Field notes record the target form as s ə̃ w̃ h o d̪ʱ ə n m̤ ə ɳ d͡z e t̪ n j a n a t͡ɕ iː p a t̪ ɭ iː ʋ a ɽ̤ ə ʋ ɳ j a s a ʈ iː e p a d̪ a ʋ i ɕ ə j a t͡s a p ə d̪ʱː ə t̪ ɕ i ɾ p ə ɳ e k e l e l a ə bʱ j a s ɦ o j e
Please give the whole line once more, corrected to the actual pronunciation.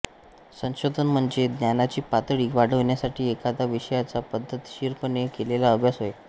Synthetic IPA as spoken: s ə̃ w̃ ɕ o d̪ʱ ə n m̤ ə ɳ d͡z e d̪ n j a n a t͡ɕ iː p a t̪ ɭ iː ʋ a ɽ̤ ə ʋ ɳ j a s a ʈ iː e k a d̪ a ʋ i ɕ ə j a t͡s a p ə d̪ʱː ə t̪ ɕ i ɾ p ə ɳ e k e l e l a ə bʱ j a s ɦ o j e

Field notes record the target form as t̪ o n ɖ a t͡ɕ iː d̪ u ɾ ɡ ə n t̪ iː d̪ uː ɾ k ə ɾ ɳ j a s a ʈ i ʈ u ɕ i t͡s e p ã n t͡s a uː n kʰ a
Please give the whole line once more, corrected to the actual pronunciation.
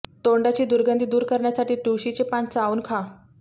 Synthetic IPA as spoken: t̪ o ɳ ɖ a t͡ɕ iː d̪ u ɾ ɡ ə n d̪ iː d̪ uː ɾ k ə ɾ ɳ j a s a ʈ iː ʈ u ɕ i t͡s e p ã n t͡s a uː n kʰ a

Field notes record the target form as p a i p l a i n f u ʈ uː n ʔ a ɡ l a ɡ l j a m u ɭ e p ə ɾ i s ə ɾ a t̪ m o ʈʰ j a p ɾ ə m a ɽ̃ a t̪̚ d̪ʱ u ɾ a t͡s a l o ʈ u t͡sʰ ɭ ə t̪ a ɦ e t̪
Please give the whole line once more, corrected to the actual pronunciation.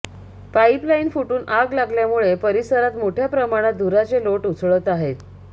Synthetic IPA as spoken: p a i p l a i n f u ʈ uː n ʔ a ɡ l a ɡ l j a m u ɭ e p ə ɾ i s ə ɾ a t̪ m o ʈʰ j a p ɾ ə m a ɽ̃ a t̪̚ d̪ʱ u ɾ a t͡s e l o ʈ u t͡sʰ ɭ ə t̪ a ɦ e t̪

